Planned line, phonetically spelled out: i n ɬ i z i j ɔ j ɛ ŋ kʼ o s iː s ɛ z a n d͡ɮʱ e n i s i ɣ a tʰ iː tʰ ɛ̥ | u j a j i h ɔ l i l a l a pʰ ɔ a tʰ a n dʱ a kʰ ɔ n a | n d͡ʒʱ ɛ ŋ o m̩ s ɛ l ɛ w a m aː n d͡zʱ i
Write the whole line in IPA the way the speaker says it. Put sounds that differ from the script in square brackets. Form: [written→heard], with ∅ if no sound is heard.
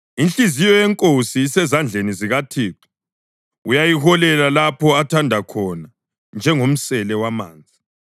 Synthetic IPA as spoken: i n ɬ i z i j ɔ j ɛ ŋ kʼ o s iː s ɛ z a n d͡ɮʱ e n i [s→z] i ɣ a tʰ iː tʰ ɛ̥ | u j a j i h ɔ l [i→ɛ] l a l a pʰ ɔ a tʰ a n dʱ a kʰ ɔ n a | n d͡ʒʱ ɛ ŋ o m̩ s ɛ l ɛ w a m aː n d͡zʱ i

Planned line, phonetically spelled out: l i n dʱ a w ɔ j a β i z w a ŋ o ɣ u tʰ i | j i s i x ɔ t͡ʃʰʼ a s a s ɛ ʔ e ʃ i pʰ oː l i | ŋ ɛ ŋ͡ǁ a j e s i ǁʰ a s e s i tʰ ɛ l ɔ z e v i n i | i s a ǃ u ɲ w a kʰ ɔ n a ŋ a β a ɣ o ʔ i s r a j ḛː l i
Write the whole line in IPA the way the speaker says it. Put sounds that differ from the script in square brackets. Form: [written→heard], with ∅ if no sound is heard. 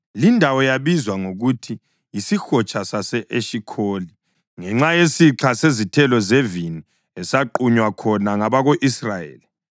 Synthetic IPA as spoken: l i n dʱ a w ɔ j a β i z w a ŋ o ɣ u tʰ i | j i s i x ɔ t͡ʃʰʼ a s a s ɛ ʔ e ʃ i [pʰ→kʰ] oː l i | ŋ ɛ ŋ͡ǁ a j e s i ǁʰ a s e [s→z] i tʰ ɛ l ɔ z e v i n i | [i→ɛ] s a ǃ u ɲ w a kʰ ɔ n a ŋ a β a ɣ o ʔ i s r a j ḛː l i

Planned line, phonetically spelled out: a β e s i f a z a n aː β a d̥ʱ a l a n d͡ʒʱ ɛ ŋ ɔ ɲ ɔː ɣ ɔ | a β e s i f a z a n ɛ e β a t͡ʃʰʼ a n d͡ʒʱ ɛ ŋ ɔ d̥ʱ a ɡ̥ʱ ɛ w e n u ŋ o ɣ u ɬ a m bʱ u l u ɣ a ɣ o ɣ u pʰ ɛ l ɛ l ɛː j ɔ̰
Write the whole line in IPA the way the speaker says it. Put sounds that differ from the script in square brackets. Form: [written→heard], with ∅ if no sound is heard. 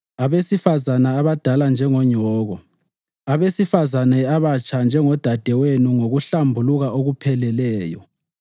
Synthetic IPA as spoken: a β e s i f a z a n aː β a d̥ʱ a l a n d͡ʒʱ ɛ ŋ ɔ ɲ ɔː ɣ ɔ | a β e s i f a z a n ɛ [e→a] β a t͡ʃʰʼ a n d͡ʒʱ ɛ ŋ ɔ d̥ʱ a [ɡ̥ʱ→d̥ʱ] ɛ w e n u ŋ o ɣ u ɬ a m bʱ u l u ɣ a [ɣ→∅] o ɣ u pʰ ɛ l ɛ l ɛː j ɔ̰

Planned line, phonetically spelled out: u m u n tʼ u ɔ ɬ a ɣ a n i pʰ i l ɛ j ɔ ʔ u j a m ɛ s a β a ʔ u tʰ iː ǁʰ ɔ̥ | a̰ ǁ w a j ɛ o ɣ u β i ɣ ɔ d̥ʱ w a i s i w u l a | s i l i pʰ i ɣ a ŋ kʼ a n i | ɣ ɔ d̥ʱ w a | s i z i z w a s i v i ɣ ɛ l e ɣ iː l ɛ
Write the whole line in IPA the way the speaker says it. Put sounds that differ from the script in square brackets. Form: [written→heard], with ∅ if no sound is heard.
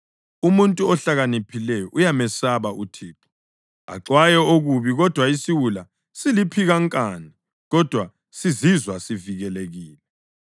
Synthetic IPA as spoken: u m u n tʼ u ɔ ɬ a ɣ a n i pʰ i l ɛ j ɔ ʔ u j a m ɛ s a β a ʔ u tʰ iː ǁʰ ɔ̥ | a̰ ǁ w a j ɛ o ɣ u β i ɣ ɔ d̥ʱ w a i s i w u l a | s i l i pʰ i ɣ a ŋ kʼ a n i | ɣ ɔ d̥ʱ w a | s i z i z w a s i v i ɣ ɛ l e ɣ iː l ɛ

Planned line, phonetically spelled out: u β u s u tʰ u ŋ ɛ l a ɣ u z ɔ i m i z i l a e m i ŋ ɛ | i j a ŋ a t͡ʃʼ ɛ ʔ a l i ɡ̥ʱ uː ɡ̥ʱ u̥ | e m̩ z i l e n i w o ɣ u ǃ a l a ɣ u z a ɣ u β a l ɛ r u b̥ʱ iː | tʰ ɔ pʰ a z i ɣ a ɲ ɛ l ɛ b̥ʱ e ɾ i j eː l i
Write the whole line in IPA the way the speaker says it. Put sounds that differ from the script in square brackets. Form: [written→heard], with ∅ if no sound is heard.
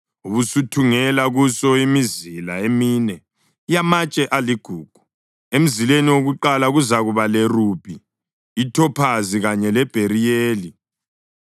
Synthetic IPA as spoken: u β u s u tʰ u ŋ ɛ l a ɣ u [z→s] ɔ i m i z i l a e m i [ŋ→n] ɛ | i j a [ŋ→m] a t͡ʃʼ ɛ ʔ a l i ɡ̥ʱ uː ɡ̥ʱ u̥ | e m̩ z i l e n i w o ɣ u ǃ a l a ɣ u z a ɣ u β a l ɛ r u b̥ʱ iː | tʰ ɔ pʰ a z i ɣ a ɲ ɛ l ɛ b̥ʱ e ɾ i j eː l i

